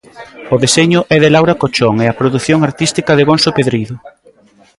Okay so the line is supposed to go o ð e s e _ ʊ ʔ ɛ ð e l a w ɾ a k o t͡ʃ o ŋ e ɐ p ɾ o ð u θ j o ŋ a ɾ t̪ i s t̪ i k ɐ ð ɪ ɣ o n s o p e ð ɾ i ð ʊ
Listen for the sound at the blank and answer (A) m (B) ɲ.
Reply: B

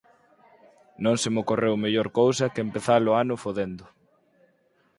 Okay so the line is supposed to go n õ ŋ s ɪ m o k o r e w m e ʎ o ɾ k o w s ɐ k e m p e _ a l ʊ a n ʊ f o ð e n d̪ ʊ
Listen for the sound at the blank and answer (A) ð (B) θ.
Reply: B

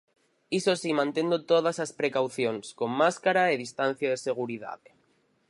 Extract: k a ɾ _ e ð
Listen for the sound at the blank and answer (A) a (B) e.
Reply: A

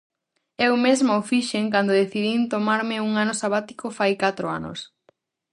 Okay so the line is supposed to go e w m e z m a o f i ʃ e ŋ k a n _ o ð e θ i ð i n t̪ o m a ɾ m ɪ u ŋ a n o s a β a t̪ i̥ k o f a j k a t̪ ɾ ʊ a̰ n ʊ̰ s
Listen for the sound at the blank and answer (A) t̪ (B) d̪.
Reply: B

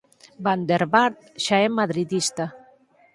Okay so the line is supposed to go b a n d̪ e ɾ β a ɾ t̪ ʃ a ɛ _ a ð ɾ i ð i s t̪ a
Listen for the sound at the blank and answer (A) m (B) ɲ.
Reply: A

